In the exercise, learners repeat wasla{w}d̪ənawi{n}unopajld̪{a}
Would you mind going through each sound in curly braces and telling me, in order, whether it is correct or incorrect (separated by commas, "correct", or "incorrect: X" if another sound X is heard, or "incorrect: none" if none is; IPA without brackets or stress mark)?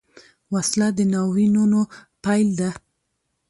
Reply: incorrect: none, correct, correct